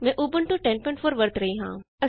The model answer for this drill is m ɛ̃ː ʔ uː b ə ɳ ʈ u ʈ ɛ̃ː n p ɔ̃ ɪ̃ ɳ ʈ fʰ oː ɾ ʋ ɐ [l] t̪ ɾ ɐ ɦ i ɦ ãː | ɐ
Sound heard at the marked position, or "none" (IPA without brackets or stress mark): ɾ